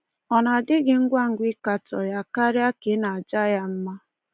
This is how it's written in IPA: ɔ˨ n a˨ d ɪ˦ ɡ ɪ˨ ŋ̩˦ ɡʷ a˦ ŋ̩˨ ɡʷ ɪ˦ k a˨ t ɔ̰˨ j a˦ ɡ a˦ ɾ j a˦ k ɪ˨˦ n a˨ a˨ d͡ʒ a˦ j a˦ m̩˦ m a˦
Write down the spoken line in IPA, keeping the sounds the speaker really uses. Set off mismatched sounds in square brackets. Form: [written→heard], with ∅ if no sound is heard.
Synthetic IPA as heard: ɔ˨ n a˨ d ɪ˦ ɡ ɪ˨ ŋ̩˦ ɡʷ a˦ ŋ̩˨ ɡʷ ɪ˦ k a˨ t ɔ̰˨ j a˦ [ɡ→k] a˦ ɾ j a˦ k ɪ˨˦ n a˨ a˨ d͡ʒ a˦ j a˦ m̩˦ m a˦